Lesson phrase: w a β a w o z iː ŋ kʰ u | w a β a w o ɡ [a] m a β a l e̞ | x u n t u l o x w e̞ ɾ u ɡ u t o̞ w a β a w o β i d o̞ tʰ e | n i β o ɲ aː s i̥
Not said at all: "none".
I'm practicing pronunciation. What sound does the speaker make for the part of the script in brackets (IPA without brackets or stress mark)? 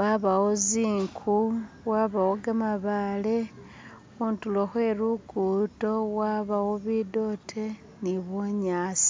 a